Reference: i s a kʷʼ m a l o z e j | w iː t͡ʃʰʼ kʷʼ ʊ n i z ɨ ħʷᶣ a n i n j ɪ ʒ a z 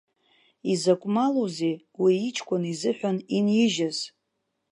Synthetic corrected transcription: i z a kʷʼ m a l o z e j | w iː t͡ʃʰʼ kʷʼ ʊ n i z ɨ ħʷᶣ a n i n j ɪ ʒ a z

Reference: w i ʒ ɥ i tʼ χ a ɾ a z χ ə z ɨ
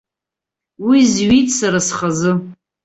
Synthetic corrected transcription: w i z ɥ i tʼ s a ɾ a s χ a z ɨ

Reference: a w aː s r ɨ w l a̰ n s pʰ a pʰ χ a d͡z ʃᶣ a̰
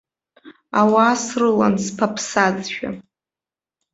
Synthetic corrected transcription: a w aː s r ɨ l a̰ n s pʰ a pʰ s a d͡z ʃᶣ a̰

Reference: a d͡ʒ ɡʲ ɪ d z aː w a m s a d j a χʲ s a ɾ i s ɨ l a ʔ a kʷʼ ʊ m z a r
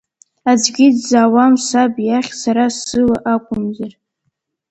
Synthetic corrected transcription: a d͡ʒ ɡʲ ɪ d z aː w a m s a b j a χʲ s a ɾ a s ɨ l a ʔ a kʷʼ ʊ m z a r

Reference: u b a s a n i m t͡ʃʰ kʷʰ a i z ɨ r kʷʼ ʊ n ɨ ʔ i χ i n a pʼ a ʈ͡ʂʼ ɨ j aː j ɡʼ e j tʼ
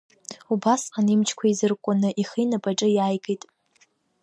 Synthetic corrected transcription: u b a s a n i m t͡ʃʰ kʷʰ a i z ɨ r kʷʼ ʊ n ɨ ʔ i χ i n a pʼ a ʈ͡ʂʼ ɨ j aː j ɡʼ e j tʼ

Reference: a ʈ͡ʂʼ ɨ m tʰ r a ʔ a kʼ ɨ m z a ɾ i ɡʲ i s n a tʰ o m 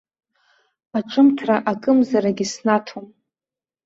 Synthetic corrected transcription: a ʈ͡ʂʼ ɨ m tʰ r a ʔ a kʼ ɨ m z a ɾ a ɡʲ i s n a tʰ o m

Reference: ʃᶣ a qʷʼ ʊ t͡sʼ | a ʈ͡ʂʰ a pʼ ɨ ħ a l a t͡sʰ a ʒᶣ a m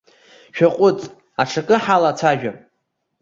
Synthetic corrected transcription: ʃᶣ a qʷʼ ʊ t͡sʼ | a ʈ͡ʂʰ a kʼ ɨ ħ a l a t͡sʰ a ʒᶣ a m

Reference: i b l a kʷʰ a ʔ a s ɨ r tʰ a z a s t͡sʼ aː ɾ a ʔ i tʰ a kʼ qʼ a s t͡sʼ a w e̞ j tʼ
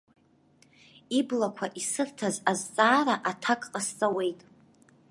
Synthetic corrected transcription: i b l a kʷʰ a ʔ i s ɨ r tʰ a z a z t͡sʼ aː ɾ a ʔ a tʰ a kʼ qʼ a s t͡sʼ a w e̞ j tʼ

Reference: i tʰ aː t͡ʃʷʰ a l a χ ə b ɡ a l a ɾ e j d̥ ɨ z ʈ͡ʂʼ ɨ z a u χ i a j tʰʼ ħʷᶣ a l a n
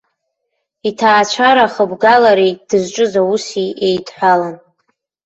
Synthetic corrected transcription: i tʰ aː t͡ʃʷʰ a ɾ a χ ə b ɡ a l a ɾ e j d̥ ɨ z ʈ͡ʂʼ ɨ z a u s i e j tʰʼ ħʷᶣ a l a n

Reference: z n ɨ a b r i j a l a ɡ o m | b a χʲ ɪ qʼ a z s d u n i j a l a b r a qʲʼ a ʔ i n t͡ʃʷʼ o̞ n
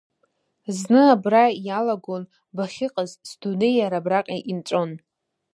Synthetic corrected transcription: z n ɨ a b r a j a l a ɡ o n | b a χʲ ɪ qʼ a z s d u n e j a ɾ a b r a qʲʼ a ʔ i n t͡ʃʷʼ o̞ n

